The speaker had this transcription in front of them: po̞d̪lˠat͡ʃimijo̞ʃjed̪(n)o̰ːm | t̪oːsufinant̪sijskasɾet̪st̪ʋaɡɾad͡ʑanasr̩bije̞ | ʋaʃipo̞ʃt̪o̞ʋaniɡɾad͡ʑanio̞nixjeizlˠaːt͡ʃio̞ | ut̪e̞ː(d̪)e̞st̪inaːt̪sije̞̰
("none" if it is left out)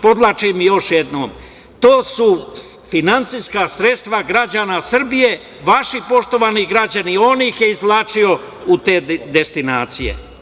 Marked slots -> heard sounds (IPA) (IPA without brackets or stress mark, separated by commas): n, d̪